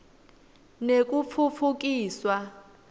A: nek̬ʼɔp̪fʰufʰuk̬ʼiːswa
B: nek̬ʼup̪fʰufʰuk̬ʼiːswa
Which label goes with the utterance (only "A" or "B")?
B